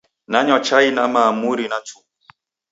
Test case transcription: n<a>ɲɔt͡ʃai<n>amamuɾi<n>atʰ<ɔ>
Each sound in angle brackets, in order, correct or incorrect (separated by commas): correct, correct, correct, incorrect